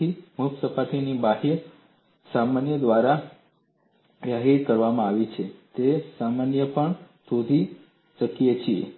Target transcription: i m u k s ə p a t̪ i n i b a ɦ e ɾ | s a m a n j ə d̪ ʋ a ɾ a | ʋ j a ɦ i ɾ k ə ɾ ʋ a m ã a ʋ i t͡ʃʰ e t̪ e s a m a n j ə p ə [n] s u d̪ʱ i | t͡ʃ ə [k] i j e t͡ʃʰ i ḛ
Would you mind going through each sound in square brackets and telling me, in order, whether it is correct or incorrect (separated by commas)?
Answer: incorrect, correct